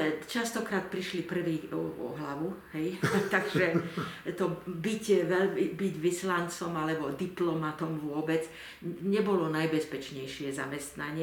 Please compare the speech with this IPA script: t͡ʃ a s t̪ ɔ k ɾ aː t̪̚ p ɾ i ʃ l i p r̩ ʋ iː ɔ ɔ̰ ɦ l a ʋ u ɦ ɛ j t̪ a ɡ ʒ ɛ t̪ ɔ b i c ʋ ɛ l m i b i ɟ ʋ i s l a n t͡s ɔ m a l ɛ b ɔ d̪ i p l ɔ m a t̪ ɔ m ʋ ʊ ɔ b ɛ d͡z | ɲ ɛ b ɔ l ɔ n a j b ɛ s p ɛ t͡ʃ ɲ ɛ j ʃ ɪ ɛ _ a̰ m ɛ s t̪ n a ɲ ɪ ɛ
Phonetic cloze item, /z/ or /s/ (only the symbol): z